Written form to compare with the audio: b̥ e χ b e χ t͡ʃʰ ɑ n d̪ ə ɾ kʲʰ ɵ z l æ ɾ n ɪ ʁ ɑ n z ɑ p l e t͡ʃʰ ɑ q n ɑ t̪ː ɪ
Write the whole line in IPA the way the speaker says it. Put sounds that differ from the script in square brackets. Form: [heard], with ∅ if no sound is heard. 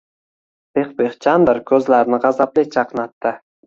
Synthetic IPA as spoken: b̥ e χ b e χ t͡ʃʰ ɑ n d̪ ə ɾ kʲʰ ɵ z l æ ɾ n ɪ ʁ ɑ [∅] z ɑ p l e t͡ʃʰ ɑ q n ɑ t̪ː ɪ